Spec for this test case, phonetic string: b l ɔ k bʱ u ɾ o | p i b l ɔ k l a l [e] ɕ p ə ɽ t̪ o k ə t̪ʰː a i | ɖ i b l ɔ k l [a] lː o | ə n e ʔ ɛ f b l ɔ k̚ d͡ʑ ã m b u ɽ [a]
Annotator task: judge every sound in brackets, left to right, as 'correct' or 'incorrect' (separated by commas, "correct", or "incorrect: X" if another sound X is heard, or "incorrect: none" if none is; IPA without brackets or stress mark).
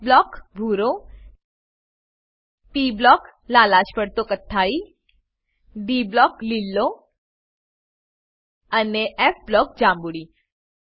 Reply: incorrect: a, incorrect: i, incorrect: i